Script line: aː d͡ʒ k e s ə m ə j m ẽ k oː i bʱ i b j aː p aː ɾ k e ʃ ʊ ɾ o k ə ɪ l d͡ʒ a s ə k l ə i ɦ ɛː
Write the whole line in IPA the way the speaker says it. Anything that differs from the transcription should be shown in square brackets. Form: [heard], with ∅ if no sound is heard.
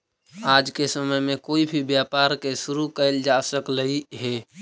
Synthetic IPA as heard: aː d͡ʒ k e s ə m ə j m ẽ k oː i bʱ i b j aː p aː ɾ k e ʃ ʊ ɾ [u] k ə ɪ l d͡ʒ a s ə k l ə i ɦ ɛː